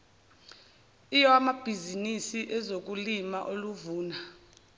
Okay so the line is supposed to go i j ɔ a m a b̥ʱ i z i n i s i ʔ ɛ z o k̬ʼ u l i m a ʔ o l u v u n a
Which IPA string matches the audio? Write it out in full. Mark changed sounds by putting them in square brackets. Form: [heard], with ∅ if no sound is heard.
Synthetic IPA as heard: i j ɔ a m a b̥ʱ i z i n i s i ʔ ɛ z o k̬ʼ u l i m a ʔ o l u v [uː] n a